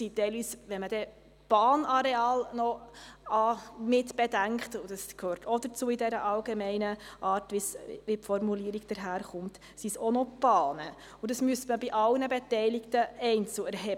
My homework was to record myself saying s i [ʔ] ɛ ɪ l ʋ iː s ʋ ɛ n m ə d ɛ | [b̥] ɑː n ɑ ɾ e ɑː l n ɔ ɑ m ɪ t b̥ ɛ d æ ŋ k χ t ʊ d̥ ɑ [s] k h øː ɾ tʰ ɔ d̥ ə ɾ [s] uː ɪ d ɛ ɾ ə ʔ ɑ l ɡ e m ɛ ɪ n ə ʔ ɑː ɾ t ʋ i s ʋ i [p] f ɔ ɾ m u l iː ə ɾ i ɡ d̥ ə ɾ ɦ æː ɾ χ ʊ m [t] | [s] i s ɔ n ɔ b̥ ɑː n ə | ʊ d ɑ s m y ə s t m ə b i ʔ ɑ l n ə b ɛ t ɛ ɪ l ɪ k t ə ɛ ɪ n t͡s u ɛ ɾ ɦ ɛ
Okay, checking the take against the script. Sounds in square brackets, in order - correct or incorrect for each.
incorrect, correct, correct, incorrect, correct, correct, correct

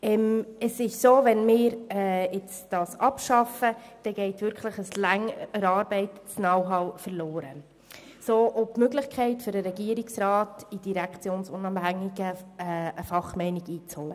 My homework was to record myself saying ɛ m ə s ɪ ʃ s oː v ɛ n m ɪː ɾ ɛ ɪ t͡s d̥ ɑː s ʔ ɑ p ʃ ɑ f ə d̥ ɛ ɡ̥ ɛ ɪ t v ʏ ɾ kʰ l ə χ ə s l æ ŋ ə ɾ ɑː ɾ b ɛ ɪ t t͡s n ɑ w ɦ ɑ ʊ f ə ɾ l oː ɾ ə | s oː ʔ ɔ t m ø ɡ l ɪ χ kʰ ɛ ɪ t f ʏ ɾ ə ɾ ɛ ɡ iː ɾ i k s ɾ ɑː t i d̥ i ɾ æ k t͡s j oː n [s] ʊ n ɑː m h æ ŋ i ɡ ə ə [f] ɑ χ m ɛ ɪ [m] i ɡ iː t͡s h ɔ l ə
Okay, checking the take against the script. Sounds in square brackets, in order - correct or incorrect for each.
correct, correct, incorrect

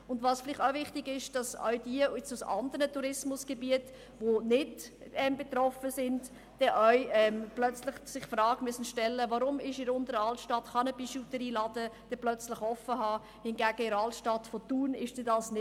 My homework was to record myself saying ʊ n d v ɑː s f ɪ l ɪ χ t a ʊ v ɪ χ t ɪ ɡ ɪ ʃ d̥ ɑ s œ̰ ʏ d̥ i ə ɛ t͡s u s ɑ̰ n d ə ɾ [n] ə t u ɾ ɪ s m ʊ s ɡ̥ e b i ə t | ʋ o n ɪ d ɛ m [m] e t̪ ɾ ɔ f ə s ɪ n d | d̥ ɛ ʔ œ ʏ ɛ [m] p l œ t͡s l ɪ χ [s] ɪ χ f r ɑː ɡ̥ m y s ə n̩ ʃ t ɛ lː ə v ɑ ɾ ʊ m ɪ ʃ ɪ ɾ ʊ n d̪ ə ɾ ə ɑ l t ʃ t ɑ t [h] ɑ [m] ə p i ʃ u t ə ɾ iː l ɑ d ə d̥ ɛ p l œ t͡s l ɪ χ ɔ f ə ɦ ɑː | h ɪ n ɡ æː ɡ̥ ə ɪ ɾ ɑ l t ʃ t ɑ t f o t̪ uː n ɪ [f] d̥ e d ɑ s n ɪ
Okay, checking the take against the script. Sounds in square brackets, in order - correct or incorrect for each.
correct, incorrect, correct, correct, incorrect, incorrect, incorrect

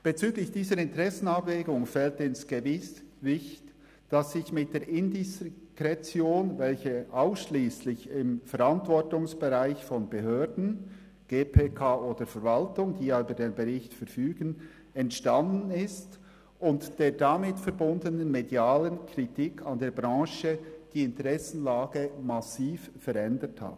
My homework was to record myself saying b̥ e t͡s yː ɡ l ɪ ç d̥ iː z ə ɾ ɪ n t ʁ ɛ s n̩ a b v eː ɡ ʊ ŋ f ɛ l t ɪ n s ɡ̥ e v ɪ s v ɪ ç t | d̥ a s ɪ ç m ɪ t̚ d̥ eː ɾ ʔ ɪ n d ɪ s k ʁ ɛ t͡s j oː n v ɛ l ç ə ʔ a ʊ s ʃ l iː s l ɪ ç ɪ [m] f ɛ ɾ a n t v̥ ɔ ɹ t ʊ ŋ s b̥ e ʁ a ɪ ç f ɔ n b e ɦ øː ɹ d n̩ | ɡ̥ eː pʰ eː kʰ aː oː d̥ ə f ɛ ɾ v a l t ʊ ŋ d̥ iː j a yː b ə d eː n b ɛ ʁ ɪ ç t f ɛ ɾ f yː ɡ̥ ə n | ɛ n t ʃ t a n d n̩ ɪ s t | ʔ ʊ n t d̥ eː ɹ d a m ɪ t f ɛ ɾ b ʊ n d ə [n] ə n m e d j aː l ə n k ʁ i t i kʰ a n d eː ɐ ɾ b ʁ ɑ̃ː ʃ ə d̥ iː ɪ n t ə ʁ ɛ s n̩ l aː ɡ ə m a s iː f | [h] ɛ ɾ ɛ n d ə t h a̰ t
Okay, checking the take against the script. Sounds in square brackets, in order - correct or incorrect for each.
correct, correct, incorrect

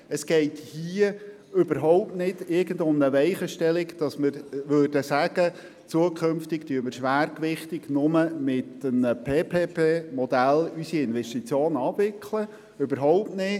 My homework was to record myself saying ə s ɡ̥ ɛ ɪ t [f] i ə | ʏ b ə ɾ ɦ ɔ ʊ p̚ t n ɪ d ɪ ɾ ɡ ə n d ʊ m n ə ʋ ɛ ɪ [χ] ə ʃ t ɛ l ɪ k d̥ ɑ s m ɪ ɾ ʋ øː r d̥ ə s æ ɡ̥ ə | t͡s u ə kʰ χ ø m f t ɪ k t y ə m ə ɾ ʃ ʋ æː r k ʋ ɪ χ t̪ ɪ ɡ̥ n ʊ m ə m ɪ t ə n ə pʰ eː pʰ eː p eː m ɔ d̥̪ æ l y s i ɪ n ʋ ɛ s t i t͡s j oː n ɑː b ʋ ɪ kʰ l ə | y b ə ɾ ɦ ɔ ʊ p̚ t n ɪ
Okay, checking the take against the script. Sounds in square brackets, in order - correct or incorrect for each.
incorrect, correct

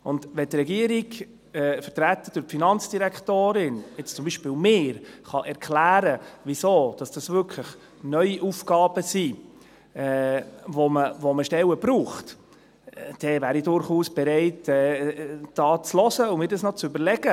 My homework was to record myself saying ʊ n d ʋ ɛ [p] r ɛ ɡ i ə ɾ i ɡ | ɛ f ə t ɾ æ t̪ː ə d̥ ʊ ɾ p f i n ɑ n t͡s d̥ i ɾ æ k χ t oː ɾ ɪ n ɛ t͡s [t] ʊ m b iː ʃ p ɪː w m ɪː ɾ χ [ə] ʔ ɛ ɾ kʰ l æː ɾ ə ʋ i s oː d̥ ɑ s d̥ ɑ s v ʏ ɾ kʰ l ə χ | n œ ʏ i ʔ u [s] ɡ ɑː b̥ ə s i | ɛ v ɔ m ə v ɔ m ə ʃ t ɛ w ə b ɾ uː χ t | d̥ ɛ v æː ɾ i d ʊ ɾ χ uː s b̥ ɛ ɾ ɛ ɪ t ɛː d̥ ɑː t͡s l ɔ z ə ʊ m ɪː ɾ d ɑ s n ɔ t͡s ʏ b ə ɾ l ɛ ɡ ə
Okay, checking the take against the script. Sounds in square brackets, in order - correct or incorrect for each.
incorrect, incorrect, incorrect, incorrect

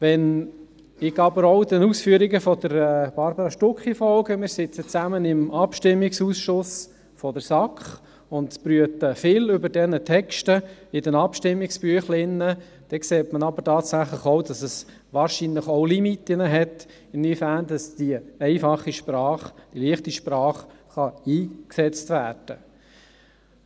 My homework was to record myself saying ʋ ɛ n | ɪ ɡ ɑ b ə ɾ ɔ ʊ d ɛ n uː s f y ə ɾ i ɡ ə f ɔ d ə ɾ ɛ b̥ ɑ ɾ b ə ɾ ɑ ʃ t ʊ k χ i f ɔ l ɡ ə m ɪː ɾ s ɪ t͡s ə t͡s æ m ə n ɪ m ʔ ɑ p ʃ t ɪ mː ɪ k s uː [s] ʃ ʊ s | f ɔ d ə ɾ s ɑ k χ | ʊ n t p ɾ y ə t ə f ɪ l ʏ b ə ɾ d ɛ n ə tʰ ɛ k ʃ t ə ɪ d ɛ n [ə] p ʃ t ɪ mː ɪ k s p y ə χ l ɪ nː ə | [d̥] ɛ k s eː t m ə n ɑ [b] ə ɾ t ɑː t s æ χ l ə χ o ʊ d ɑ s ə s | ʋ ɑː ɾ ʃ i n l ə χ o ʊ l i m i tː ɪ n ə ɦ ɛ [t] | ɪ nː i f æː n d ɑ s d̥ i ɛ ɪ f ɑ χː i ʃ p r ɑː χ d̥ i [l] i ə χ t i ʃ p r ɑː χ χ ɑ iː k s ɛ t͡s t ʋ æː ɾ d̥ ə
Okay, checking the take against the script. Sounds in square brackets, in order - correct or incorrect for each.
correct, incorrect, correct, correct, correct, correct

